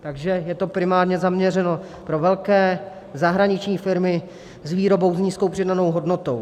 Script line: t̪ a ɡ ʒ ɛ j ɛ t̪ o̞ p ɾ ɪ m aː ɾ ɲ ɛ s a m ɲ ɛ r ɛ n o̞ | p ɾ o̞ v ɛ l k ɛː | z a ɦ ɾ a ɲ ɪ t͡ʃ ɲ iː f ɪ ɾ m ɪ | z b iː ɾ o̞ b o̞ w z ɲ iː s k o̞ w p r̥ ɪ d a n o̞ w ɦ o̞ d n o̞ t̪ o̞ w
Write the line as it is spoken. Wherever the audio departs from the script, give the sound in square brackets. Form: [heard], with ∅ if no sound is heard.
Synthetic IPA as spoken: t̪ a ɡ ʒ ɛ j ɛ t̪ o̞ p ɾ ɪ m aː ɾ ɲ ɛ [z] a m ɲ ɛ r ɛ n o̞ | p ɾ o̞ v ɛ l k ɛː | z a ɦ ɾ a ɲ ɪ t͡ʃ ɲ iː f ɪ ɾ m ɪ | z [v] iː ɾ o̞ b o̞ w z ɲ iː s k o̞ w p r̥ ɪ d a n o̞ w ɦ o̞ d n o̞ t̪ o̞ w

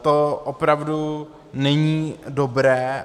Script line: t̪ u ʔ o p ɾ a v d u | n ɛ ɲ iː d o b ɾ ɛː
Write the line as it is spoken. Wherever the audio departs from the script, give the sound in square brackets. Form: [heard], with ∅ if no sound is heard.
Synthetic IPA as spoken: t̪ [o] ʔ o p ɾ a v d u | n ɛ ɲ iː d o b ɾ ɛː

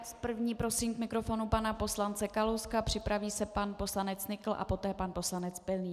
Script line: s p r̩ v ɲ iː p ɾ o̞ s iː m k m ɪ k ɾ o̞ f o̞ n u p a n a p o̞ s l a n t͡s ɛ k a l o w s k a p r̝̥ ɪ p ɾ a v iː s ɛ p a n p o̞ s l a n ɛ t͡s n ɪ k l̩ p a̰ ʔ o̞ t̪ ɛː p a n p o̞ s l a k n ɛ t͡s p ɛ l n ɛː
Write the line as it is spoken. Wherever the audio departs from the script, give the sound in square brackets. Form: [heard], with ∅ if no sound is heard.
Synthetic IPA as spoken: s p r̩ v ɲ iː p ɾ o̞ s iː m k m ɪ k ɾ o̞ f o̞ n u p a n a p o̞ s l a n t͡s ɛ k a l o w s k a p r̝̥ ɪ p ɾ a v iː s ɛ p a n p o̞ s l a n ɛ t͡s n ɪ k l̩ [ʔ] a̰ [p] o̞ t̪ ɛː p a n p o̞ s l a [∅] n ɛ t͡s p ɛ l n [iː]

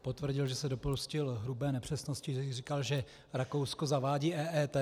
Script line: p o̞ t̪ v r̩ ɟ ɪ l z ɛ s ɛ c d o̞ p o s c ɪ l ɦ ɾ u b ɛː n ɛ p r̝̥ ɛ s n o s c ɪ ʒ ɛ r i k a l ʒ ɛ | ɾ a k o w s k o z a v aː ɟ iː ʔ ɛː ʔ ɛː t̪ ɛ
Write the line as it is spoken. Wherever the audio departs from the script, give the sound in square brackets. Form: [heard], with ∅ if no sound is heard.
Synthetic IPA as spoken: p o̞ t̪ v r̩ ɟ ɪ l [ʒ] ɛ s ɛ [∅] d o̞ p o s c ɪ l ɦ ɾ u b ɛː n ɛ p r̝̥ ɛ s n o s c ɪ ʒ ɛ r i k a l ʒ ɛ | ɾ a k o w s k o z a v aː ɟ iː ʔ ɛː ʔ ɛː t̪ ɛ

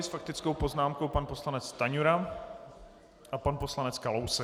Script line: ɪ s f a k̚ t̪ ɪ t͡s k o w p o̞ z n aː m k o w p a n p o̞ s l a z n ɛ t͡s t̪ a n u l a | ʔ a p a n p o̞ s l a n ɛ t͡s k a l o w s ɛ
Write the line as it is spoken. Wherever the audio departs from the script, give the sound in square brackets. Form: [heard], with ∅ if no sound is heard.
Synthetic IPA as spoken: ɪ s f a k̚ t̪ ɪ t͡s k o w p o̞ z n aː m k o w p a n p o̞ s l a [∅] n ɛ t͡s t̪ a [ɲ] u [ɾ] a | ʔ a p a n p o̞ s l a n ɛ t͡s k a l o w s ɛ

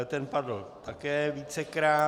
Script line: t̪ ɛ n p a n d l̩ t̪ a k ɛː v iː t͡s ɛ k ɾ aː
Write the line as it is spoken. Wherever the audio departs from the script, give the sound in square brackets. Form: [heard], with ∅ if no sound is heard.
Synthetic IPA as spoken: t̪ ɛ n p a [∅] d l̩ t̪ a k ɛː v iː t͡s ɛ k ɾ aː

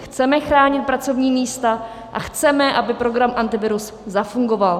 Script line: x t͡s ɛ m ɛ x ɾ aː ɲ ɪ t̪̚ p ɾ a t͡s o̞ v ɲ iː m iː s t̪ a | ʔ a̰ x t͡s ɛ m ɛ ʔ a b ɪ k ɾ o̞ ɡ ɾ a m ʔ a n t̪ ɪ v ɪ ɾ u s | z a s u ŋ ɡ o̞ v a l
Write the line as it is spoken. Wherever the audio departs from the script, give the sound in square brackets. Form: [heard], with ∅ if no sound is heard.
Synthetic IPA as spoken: x t͡s ɛ m ɛ x ɾ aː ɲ ɪ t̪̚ p ɾ a t͡s o̞ v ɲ iː m iː s t̪ a | ʔ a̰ x t͡s ɛ m ɛ ʔ a b ɪ [p] ɾ o̞ ɡ ɾ a m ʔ a n t̪ ɪ v ɪ ɾ u s | z a [f] u ŋ ɡ o̞ v a l

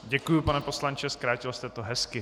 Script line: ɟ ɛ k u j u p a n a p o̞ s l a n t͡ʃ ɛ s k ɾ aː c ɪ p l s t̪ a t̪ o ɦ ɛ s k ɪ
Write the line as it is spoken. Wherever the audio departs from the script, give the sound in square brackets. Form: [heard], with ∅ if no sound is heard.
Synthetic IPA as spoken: ɟ ɛ k u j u p a n [ɛ] p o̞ s l a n t͡ʃ ɛ s k ɾ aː c ɪ [∅] l s t̪ [ɛ] t̪ o ɦ ɛ s k ɪ

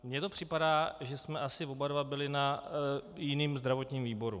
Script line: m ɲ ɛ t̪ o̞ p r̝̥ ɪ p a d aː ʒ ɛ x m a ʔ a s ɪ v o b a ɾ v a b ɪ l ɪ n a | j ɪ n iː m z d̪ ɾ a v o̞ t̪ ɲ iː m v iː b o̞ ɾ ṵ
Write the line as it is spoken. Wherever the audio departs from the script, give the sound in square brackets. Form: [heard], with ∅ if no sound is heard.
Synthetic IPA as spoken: m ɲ ɛ t̪ o̞ p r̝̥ ɪ p a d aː ʒ ɛ [s] m [ɛ] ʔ a s ɪ v o b a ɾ v a b ɪ l ɪ n a | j ɪ n iː m z d̪ ɾ a v o̞ t̪ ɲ iː m v iː b o̞ ɾ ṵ

